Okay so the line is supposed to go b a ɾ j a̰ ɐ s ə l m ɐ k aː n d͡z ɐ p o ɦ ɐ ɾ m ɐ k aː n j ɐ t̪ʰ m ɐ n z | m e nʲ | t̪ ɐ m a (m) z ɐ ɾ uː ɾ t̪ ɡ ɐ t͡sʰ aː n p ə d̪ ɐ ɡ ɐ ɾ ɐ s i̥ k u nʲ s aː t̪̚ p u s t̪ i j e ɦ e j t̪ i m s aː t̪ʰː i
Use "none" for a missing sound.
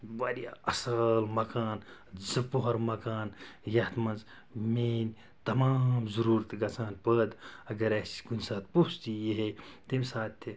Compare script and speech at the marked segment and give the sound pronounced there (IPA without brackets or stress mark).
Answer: m